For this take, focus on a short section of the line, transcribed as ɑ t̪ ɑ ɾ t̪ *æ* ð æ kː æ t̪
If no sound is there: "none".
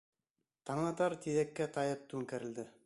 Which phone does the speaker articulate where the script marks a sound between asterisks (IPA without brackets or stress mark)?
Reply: i